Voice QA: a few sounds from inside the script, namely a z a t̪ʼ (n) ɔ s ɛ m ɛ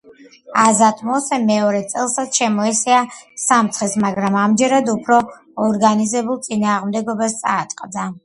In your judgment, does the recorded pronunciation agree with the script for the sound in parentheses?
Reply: no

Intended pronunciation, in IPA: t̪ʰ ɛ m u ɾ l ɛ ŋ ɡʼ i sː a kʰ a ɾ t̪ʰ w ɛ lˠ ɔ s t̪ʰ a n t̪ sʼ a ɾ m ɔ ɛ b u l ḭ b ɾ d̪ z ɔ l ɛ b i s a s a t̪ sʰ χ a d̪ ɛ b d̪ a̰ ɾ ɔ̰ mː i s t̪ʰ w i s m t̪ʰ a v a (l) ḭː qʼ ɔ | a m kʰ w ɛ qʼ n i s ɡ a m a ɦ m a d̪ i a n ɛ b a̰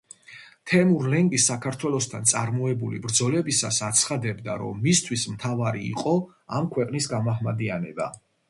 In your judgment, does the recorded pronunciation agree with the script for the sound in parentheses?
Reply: no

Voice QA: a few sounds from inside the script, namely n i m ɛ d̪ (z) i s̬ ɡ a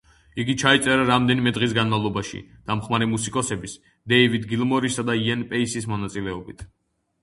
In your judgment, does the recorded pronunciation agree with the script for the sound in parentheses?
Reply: no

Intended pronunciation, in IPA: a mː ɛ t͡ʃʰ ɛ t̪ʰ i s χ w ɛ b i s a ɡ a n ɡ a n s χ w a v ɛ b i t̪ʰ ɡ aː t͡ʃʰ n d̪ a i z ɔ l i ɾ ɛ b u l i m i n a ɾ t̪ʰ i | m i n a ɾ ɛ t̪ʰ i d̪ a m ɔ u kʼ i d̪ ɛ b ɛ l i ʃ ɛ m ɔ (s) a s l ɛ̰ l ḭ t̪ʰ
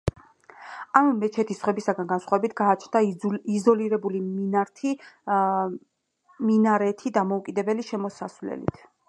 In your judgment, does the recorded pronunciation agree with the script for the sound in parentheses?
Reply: yes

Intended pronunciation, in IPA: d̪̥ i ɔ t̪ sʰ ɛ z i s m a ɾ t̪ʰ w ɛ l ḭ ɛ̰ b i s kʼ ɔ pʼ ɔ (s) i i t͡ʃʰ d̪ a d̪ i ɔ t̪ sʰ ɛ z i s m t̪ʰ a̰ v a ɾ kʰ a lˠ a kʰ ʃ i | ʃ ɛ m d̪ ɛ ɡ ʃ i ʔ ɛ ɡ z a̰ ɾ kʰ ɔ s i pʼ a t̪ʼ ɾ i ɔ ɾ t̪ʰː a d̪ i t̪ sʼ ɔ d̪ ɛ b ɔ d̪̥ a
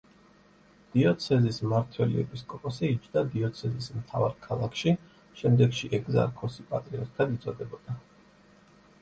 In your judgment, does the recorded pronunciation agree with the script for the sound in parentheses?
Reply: yes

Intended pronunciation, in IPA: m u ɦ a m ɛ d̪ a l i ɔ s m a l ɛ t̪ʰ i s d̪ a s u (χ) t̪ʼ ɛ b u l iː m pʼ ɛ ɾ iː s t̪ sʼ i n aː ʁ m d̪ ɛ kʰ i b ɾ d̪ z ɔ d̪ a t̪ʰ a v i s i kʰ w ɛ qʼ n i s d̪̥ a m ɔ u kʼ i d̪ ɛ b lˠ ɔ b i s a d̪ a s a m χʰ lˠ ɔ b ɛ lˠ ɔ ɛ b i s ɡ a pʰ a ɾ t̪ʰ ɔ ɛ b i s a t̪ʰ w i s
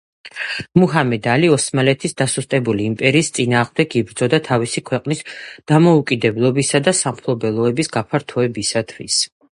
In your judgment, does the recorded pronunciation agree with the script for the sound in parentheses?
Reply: no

